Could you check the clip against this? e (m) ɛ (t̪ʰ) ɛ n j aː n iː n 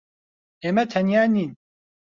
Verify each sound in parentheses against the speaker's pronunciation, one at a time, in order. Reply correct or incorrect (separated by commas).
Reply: correct, correct